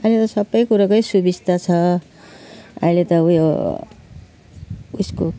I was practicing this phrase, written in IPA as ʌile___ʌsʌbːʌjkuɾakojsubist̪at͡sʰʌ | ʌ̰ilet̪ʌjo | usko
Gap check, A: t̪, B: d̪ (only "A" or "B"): A